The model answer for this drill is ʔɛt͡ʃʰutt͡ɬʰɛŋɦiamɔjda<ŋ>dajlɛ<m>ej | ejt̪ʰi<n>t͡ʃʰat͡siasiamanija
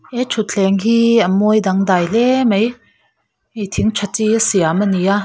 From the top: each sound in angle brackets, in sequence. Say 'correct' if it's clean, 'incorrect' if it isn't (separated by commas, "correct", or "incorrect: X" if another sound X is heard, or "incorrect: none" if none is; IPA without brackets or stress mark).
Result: correct, correct, incorrect: ŋ